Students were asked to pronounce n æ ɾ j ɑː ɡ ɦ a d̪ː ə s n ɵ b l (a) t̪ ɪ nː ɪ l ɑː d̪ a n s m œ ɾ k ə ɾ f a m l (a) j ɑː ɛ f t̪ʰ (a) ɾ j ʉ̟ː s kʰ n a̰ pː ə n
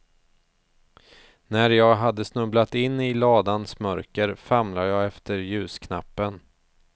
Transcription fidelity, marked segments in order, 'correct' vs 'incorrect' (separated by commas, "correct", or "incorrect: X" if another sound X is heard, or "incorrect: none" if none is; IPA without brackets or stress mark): correct, correct, incorrect: ə